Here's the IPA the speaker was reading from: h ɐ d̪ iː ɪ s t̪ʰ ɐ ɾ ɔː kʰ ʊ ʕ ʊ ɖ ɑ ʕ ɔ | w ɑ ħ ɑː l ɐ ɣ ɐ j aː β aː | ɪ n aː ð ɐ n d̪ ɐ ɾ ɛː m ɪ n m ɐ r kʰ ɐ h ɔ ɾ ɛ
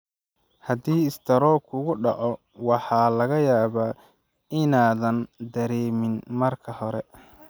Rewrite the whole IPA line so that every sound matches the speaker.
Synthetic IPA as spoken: h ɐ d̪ iː ɪ s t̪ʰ ɐ ɾ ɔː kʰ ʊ ɣ ʊ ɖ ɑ ʕ ɔ | w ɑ ħ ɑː l ɐ ɣ ɐ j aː β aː | ɪ n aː ð ɐ n d̪ ɐ ɾ ɛː m ɪ n m ɐ r kʰ ɐ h ɔ ɾ ɛ

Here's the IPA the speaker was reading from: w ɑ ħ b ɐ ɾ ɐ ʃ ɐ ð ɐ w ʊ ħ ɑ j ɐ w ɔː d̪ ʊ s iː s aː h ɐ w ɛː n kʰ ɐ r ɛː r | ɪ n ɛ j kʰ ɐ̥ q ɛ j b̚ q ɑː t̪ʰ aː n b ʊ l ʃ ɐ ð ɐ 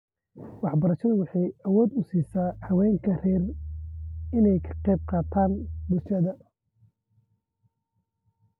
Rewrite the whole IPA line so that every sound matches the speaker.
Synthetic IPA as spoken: w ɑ ħ b ɐ ɾ ɐ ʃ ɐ ð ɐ w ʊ ħ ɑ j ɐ w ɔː d̪ ʊ s iː s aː h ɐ w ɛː ŋ kʰ ɐ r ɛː r | ɪ n ɛ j kʰ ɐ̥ q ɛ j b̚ q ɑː t̪ʰ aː n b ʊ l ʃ ɐ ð ɐ

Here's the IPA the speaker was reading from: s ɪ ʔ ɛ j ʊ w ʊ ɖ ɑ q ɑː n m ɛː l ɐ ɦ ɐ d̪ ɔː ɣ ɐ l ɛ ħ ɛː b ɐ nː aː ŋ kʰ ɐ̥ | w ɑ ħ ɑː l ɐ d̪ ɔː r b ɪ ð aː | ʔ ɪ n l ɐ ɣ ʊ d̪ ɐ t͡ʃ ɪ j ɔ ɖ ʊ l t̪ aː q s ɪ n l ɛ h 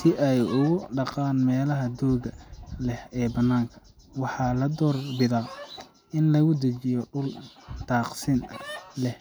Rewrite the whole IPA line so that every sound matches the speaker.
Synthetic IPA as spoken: s ɪ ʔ ɛ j ʊ ɣ ʊ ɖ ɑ q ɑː n m ɛː l ɐ ɦ ɐ d̪ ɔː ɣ ɐ l ɛ h ɛː b ɐ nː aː ŋ kʰ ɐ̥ | w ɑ ħ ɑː l ɐ d̪ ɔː r b ɪ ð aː | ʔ ɪ n l ɐ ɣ ʊ d̪ ɐ t͡ʃ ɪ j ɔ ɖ ʊ l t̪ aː q s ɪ n l ɛ h

